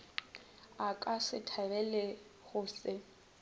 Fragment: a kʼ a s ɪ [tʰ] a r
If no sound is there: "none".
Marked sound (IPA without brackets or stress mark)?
tʰ